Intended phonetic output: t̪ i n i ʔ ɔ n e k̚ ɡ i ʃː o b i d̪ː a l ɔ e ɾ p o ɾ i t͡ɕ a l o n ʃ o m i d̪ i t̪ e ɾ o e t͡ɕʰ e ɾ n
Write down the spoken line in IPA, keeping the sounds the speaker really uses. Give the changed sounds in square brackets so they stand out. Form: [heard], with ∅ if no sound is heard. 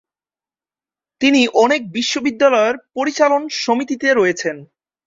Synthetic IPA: t̪ i n i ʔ ɔ n e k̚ [b] i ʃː o b i d̪ː a l ɔ e ɾ p o ɾ i t͡ɕ a l o n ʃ o m i [t̪] i t̪ e ɾ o e t͡ɕʰ e [∅] n